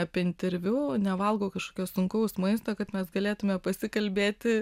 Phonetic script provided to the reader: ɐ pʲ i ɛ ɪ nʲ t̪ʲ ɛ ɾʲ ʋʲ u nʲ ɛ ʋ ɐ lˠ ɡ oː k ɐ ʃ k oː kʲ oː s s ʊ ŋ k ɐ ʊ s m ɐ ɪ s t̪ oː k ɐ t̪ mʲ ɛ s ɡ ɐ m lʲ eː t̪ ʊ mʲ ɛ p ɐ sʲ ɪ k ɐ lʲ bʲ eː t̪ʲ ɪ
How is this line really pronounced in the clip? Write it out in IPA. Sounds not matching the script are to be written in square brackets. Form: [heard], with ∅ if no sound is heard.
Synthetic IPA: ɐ pʲ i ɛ ɪ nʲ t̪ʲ ɛ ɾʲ ʋʲ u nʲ ɛ ʋ ɐ lˠ ɡ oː k ɐ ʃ k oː kʲ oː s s ʊ ŋ k ɐ ʊ s m ɐ ɪ s t̪ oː k ɐ t̪ mʲ ɛ s ɡ ɐ [∅] lʲ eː t̪ ʊ mʲ ɛ p ɐ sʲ ɪ k ɐ lʲ bʲ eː t̪ʲ ɪ